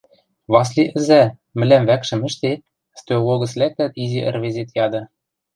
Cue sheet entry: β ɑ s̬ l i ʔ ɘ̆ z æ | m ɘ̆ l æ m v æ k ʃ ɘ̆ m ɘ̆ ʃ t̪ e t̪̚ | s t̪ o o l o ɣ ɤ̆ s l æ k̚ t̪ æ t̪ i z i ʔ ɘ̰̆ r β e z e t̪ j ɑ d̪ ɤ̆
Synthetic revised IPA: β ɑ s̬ l i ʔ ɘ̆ z æ | m ɘ̆ l æ m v æ k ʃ ɘ̆ m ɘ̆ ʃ t̪ e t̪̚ | s t̪ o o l o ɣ ɤ̆ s l æ k̚ t̪ æ t̪ i z i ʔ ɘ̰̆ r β e z e t̪ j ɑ d̪ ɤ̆

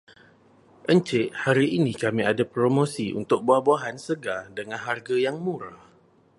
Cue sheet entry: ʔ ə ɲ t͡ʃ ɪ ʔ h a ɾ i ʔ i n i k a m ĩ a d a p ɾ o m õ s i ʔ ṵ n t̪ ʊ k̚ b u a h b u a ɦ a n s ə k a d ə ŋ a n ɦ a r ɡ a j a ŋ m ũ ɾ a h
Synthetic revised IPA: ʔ ə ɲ t͡ʃ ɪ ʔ h a ɾ i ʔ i n i k a m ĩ a d a p ɾ o m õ s i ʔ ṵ n t̪ ʊ k̚ b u a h b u a ɦ a n s ə ɡ a d ə ŋ a n ɦ a r ɡ a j a ŋ m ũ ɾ a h

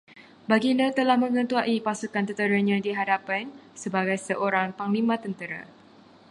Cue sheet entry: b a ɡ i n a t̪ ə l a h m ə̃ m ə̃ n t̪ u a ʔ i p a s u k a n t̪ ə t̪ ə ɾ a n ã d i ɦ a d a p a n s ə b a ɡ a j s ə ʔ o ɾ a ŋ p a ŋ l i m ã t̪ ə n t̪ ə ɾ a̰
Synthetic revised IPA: b a ɡ i n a t̪ ə l a h m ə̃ ŋ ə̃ n t̪ u a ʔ i p a s u k a n t̪ ə t̪ ə ɾ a ɲ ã d i ɦ a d a p a n s ə b a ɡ a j s ə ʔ o ɾ a ŋ p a ŋ l i m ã t̪ ə n t̪ ə ɾ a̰

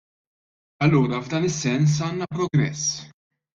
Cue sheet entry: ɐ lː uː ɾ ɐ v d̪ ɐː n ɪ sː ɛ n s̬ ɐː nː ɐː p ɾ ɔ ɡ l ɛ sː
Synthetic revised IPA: ɐ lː uː ɾ ɐ v d̪ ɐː n ɪ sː ɛ n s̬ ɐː nː ɐ p ɾ ɔ ɡ ɾ ɛ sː

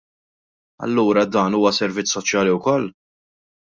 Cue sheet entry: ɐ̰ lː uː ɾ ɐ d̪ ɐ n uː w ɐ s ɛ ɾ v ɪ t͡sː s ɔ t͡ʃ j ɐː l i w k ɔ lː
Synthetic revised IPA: ɐ̰ lː uː ɾ ɐ d̪ ɐː n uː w ɐ s ɛ ɾ v ɪ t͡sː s ɔ t͡ʃ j ɐː l i w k ɔ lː

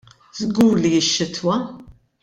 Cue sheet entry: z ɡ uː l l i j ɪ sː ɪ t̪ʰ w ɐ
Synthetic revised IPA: z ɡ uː ɾ l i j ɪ ʃː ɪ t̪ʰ w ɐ

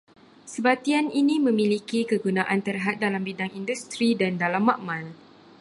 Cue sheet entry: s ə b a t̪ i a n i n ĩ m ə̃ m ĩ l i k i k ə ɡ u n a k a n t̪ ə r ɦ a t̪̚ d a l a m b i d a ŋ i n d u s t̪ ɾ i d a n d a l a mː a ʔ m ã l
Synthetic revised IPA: s ə b a t̪ i a n i n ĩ m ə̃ m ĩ l i k i k ə ɡ u n a ʔ a n t̪ ə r ɦ a t̪̚ d a l a m b i d a ŋ i n d u s t̪ ɾ i d a n d a l a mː a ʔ m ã l

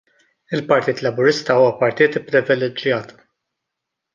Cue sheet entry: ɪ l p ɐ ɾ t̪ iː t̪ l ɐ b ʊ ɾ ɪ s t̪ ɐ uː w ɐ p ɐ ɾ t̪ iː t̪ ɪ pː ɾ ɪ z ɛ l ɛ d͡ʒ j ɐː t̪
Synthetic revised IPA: ɪ l p ɐ ɾ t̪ iː t̪ l ɐ b ʊ ɾ ɪ s t̪ ɐ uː w ɐ p ɐ ɾ t̪ iː t̪ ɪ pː ɾ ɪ v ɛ l ɛ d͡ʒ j ɐː t̪

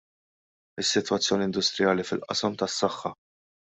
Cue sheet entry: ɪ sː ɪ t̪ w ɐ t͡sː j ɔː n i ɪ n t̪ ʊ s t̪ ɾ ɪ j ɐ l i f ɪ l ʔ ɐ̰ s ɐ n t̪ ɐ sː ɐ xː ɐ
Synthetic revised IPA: ɪ sː ɪ t̪ w ɐ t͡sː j ɔː n i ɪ n d̪ ʊ s t̪ ɾ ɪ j ɐː l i f ɪ l ʔ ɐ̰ s ɐ m t̪ ɐ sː ɐ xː ɐ

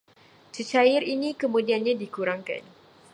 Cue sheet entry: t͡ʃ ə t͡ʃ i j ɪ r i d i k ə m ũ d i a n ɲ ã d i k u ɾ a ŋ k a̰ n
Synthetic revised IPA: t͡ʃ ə t͡ʃ a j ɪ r i n i k ə m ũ d i a n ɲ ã d i k u ɾ a ŋ k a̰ n

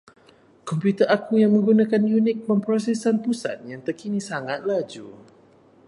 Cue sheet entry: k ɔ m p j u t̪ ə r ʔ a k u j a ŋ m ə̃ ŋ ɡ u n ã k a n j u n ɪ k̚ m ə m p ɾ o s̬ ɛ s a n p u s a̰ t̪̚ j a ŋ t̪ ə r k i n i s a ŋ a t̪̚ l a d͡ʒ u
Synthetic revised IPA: k ɔ m p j u t̪ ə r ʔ a k u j a ŋ m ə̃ ŋ ɡ u n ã k a n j u n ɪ k̚ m ə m p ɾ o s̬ ɛ s a n p u s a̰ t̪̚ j a ŋ t̪ ə r k i n i s a ŋ a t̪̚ l a d͡ʒ u

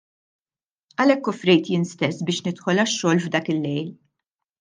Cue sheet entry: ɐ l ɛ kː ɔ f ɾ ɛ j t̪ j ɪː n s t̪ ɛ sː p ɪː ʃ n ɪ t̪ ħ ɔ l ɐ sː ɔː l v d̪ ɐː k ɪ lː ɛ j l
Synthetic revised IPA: ɐ l ɛ kː ɔ f ɾ ɛ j t̪ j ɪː n s t̪ ɛ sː b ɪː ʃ n ɪ t̪ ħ ɔ l ɐ ʃː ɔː l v d̪ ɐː k ɪ lː ɛ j l

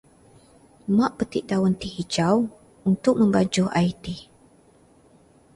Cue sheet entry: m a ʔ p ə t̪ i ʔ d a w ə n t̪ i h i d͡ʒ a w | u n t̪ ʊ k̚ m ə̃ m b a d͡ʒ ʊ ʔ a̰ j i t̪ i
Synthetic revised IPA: m a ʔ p ə t̪ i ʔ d a w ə n t̪ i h i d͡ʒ a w | u n t̪ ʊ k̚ m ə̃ m b a d͡ʒ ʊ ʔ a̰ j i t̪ i

